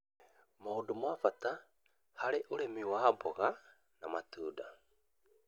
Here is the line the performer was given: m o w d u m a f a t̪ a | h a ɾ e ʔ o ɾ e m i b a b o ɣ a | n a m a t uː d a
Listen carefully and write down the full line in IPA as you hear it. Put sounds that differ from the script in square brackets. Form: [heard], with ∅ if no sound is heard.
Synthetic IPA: m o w d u m a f a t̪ a | h a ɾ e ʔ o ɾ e m i [w] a b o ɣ a | n a m a t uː d a